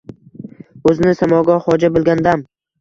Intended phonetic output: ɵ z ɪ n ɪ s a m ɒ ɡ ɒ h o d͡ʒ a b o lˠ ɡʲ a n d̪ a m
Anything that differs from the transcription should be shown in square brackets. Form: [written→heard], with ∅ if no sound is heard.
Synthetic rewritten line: ɵ z ɪ n ɪ s a m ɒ ɡ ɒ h [o→ɒ] d͡ʒ a b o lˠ ɡʲ a n d̪ a m